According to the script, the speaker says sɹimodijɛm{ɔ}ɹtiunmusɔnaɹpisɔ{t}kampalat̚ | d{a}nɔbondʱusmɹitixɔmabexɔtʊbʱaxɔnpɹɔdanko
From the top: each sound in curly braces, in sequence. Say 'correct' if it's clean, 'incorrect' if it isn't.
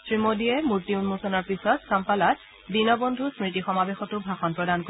incorrect: u, correct, incorrect: i

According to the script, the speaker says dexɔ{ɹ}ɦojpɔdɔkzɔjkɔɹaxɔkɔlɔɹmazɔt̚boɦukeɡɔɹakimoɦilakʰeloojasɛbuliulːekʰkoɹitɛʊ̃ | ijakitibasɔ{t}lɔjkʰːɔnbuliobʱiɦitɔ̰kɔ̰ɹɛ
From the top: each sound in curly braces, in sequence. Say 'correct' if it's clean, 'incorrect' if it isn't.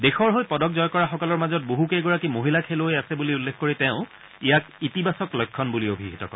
correct, incorrect: k

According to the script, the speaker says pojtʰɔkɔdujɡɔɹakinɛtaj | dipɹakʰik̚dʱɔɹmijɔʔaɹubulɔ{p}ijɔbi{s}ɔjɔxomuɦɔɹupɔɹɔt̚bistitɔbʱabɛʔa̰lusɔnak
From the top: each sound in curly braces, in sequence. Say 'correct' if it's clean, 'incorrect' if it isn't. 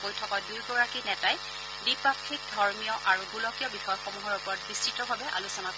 incorrect: k, incorrect: x

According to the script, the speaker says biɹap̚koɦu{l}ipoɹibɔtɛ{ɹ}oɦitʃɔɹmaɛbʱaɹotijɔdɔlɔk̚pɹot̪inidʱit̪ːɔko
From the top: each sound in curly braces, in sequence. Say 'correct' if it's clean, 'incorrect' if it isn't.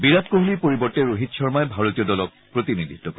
correct, correct

